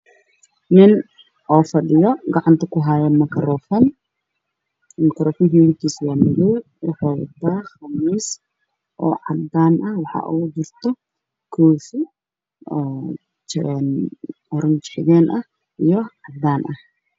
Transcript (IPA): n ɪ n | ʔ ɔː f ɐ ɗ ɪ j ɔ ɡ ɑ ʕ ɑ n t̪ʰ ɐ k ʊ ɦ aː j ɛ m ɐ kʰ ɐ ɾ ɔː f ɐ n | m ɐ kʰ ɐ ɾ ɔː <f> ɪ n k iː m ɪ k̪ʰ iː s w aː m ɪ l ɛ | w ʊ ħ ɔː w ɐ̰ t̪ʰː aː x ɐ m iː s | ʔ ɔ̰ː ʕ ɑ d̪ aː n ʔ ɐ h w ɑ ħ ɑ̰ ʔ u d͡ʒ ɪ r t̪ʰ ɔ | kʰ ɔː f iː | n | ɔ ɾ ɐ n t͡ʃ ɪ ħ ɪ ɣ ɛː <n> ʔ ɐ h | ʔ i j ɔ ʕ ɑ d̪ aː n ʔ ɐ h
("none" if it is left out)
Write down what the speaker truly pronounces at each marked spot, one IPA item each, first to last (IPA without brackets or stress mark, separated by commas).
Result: f, n